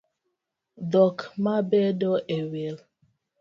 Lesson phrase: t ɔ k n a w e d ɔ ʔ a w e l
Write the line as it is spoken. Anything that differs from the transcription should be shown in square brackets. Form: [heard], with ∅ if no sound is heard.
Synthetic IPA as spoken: [d] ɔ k [m] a [b] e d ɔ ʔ [e] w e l

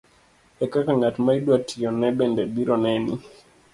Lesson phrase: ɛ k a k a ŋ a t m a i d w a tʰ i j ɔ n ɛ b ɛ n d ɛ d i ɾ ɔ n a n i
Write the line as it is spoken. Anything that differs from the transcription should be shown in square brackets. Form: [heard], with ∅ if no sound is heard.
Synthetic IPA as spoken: ɛ k a k a ŋ a t m a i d w a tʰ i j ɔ n ɛ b ɛ n d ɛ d i ɾ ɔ n [ɛ] n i

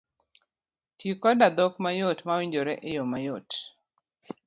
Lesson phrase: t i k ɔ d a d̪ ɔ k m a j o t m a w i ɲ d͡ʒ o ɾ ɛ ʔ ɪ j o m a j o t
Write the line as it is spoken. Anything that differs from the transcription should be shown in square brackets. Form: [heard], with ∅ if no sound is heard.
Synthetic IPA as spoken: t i k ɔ d a d̪ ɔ k m a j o t m a w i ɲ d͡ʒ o ɾ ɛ ʔ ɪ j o m a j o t

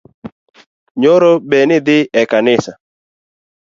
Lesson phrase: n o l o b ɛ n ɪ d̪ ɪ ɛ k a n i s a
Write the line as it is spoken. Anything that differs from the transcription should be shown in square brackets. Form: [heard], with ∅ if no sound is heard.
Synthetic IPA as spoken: [ɲ] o [ɾ] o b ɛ n ɪ d̪ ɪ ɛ k a n [ɪ] s a

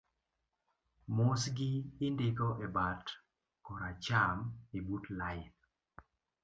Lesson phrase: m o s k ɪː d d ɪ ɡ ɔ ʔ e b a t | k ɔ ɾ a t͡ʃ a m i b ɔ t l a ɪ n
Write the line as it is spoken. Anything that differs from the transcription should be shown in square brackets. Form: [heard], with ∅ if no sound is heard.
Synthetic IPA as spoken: m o s [ɡ] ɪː [n] d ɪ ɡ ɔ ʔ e b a t | k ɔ ɾ a t͡ʃ a m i b [u] t l a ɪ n

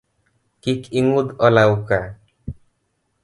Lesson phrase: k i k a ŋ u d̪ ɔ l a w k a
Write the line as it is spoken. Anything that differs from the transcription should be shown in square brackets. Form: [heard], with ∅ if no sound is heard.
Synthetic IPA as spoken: k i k [i] ŋ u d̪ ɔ l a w k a

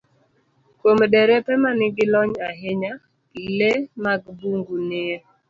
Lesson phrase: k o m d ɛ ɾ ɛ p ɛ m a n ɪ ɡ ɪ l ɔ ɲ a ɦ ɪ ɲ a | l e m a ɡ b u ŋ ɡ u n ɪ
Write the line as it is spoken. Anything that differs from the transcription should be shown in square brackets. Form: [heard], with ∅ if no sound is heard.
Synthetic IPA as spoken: k o m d ɛ ɾ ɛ p ɛ m a n ɪ ɡ ɪ l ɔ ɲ a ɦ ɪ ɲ a | l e m a ɡ b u ŋ ɡ u n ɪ

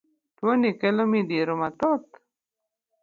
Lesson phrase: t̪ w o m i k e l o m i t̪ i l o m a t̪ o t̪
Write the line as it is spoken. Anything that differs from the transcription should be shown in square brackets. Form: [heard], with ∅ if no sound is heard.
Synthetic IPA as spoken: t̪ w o [n] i k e l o m i [d̪] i [ɾ] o m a t̪ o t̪

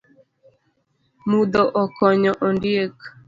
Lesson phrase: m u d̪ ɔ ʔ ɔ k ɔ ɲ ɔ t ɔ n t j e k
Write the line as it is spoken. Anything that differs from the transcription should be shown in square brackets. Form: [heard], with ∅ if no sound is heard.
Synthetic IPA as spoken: m u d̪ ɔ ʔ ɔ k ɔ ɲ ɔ [ʔ] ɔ n [d] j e k

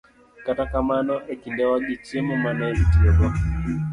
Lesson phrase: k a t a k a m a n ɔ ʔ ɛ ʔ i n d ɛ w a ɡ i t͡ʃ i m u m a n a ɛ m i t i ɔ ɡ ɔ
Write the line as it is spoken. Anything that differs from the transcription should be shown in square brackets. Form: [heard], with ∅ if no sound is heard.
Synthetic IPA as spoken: k a t a k a m a n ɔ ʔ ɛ [k] i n d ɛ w a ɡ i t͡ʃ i m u m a n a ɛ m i t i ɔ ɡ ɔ

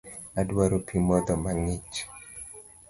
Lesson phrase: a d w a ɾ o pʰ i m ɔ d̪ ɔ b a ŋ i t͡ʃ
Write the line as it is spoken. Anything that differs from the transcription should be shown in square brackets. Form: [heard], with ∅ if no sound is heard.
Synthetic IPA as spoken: a d w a ɾ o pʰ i m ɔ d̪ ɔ [m] a ŋ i t͡ʃ

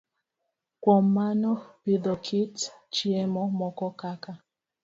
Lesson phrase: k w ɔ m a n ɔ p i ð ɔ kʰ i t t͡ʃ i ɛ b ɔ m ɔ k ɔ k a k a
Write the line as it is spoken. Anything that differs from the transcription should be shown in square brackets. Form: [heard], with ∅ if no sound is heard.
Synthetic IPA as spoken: k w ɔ m a n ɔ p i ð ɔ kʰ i t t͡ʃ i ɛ [m] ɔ m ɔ k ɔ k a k a

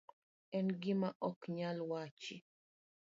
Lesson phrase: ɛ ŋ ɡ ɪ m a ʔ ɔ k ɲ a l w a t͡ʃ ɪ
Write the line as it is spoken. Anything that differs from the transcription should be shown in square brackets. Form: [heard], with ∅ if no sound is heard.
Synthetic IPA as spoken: ɛ [n] ɡ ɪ m a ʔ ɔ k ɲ a l w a t͡ʃ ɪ

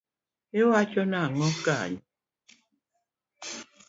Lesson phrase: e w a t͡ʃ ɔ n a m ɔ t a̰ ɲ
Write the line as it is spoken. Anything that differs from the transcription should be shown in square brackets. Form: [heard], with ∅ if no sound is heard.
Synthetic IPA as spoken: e w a t͡ʃ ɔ n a [ŋ] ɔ [k] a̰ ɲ

